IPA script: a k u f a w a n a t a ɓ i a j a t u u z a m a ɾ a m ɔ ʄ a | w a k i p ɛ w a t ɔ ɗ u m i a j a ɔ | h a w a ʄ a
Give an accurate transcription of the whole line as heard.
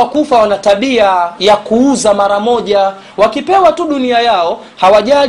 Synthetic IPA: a k u f a w a n a t a ɓ i a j a k u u z a m a ɾ a m ɔ ʄ a | w a k i p ɛ w a t u ɗ u n i a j a ɔ | h a w a ʄ a